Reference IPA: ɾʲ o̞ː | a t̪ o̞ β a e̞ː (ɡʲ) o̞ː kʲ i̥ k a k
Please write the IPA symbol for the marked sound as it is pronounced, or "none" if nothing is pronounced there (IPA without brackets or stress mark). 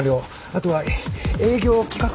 ɡʲ